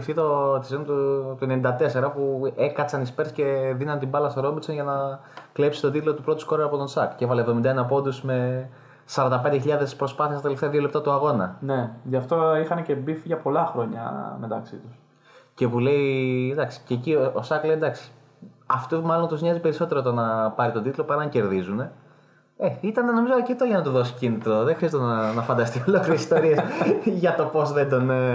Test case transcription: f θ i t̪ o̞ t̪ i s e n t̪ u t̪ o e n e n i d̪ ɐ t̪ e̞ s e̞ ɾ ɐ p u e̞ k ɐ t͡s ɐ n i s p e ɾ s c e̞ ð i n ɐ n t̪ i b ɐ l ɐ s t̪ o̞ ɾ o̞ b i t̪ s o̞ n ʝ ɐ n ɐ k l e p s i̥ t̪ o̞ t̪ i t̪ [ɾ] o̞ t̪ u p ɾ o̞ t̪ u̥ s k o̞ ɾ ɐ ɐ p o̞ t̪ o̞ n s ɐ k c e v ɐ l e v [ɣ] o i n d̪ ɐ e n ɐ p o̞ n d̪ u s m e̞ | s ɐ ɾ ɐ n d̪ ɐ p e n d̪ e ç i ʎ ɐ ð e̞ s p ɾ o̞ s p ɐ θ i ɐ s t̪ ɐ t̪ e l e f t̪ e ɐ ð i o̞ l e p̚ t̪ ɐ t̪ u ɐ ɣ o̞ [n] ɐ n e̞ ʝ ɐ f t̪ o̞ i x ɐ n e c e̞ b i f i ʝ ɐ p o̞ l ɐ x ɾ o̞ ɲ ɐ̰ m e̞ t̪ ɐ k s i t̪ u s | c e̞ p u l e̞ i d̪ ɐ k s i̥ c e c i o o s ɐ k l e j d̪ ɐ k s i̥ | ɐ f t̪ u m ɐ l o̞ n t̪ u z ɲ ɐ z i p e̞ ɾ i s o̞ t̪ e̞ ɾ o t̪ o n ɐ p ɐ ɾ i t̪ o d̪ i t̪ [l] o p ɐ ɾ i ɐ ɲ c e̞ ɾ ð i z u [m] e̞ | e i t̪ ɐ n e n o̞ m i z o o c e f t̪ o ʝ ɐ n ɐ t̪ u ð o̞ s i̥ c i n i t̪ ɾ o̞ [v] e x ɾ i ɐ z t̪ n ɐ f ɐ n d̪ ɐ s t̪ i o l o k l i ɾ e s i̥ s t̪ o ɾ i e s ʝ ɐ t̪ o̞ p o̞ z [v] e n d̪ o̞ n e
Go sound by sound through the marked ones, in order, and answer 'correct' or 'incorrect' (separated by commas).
incorrect, incorrect, correct, correct, incorrect, incorrect, incorrect